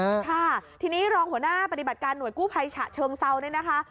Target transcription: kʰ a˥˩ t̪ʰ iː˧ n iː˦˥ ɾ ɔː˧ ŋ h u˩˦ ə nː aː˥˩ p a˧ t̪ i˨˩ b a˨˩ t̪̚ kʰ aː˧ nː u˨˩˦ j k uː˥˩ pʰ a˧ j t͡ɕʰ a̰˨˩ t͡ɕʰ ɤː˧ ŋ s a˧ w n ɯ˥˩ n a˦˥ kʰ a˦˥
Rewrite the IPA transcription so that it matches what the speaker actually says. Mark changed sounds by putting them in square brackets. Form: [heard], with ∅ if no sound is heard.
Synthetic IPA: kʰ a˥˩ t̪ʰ iː˧ n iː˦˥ ɾ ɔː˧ ŋ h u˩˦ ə [n] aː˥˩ p a˧ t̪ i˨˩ b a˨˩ t̪̚ [k] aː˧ nː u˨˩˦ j k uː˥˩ pʰ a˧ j t͡ɕʰ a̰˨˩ t͡ɕʰ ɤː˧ ŋ s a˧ w n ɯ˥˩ n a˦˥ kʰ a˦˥